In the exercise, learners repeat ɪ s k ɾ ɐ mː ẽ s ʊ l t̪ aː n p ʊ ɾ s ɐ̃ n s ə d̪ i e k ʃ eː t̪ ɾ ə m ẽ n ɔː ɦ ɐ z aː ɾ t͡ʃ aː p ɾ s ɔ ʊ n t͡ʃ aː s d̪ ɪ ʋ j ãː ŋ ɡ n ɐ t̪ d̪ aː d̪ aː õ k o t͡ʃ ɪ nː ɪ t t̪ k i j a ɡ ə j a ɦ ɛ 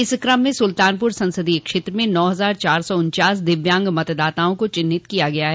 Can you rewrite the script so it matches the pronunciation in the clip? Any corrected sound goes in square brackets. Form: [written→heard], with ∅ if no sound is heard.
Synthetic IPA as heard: ɪ s k ɾ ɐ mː ẽ s ʊ l t̪ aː n p ʊ ɾ s ɐ̃ n s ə d̪ i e k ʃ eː t̪ ɾ ə m ẽ n ɔː ɦ ɐ z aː ɾ t͡ʃ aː [p→∅] ɾ s ɔ ʊ n t͡ʃ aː s d̪ ɪ ʋ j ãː ŋ ɡ [n→m] ɐ t̪ d̪ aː [d̪→t̪] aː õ k o t͡ʃ ɪ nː ɪ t t̪ k i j a ɡ [ə→ɐ] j a ɦ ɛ

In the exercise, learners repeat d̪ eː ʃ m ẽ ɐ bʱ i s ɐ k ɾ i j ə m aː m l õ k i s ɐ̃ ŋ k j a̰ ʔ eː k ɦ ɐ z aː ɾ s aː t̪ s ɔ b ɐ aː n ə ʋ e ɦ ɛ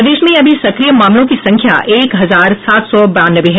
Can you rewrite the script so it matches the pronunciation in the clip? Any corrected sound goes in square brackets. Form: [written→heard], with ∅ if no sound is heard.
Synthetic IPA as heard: d̪ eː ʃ m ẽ ɐ bʱ i s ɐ k ɾ i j ə m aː m l õ k i s ɐ̃ ŋ [k→kʰ] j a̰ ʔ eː k ɦ ɐ z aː ɾ s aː t̪ s ɔ b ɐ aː n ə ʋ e ɦ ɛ

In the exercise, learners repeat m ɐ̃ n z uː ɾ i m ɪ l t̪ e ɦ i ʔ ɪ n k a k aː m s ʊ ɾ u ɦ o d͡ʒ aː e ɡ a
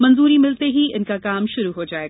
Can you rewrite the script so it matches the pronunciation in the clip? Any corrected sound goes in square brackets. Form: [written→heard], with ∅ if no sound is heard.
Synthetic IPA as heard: m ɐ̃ n z uː ɾ i m ɪ l t̪ e ɦ i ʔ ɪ n k a k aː m [s→ʃ] ʊ ɾ u ɦ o d͡ʒ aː e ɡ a

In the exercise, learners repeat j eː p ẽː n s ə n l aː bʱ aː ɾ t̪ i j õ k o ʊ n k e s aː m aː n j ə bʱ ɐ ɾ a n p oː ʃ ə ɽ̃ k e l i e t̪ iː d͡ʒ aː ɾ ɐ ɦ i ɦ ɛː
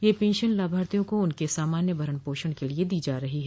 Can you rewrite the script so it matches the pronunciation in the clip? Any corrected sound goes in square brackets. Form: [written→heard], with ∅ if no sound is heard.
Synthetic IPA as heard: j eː p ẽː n [s→ʃ] ə n l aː bʱ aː ɾ t̪ i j õ k o ʊ n k e s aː m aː n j ə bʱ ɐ ɾ [a→ə] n p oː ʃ ə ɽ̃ k e l i e [t̪→d̪] iː d͡ʒ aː ɾ ɐ ɦ i ɦ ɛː

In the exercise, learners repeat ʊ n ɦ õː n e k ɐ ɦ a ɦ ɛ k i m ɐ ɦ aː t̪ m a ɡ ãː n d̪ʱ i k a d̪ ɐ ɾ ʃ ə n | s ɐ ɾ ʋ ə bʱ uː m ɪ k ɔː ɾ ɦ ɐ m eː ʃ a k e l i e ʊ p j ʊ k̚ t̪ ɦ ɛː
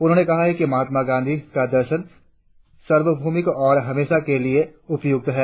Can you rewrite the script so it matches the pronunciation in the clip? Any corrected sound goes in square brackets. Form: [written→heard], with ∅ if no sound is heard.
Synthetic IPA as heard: ʊ n ɦ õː n e k ɐ ɦ a ɦ ɛ k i m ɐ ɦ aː t̪ m a ɡ ãː n d̪ʱ i k a d̪ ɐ ɾ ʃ ə n | s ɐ ɾ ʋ ə bʱ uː m ɪ k ɔː ɾ ɦ ɐ m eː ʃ a k e l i e ʊ p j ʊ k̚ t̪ ɦ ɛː

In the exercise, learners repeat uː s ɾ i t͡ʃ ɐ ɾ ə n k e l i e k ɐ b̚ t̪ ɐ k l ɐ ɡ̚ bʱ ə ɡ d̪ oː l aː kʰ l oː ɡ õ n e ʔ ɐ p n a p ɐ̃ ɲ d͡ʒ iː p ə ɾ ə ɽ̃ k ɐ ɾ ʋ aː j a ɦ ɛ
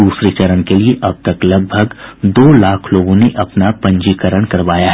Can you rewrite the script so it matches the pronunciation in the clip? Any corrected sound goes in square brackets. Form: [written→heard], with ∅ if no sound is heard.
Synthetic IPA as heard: uː s ɾ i t͡ʃ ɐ ɾ ə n k e l i e [k→ʔ] ɐ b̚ t̪ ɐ k l ɐ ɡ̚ bʱ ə ɡ d̪ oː l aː kʰ l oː ɡ õ n e ʔ ɐ p n a p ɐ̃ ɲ d͡ʒ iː [p→k] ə ɾ ə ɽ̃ k ɐ ɾ ʋ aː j a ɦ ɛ

